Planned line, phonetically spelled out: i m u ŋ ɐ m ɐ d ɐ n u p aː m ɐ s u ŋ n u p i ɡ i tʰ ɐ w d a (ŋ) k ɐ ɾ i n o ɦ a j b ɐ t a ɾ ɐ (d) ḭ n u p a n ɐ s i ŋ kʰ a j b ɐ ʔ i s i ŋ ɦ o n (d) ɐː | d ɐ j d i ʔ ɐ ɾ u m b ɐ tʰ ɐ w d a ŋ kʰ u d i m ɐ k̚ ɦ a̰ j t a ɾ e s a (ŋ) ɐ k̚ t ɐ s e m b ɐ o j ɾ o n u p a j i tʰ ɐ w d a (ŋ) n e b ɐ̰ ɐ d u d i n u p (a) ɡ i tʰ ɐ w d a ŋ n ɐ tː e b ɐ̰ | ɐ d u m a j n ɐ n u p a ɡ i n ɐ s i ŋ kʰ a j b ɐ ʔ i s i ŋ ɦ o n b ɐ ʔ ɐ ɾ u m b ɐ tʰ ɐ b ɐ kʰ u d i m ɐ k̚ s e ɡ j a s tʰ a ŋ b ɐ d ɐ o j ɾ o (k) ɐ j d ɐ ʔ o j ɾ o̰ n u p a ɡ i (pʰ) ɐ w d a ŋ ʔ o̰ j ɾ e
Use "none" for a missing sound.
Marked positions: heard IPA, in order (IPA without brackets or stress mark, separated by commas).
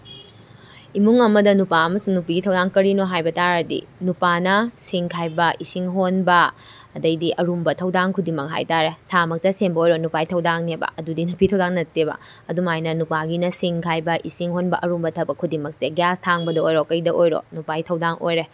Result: ŋ, d, b, m, ŋ, i, k, tʰ